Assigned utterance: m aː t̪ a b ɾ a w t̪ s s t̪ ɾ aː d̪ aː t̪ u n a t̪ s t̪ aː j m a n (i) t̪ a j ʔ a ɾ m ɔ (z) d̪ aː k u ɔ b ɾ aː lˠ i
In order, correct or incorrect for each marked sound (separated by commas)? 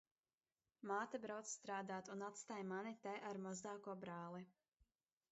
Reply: correct, correct